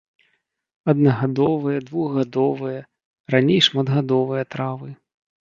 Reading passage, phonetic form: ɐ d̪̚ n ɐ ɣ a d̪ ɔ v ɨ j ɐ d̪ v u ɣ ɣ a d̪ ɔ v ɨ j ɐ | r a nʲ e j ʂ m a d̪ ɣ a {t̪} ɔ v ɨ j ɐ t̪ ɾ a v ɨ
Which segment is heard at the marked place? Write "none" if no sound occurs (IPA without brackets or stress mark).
d̪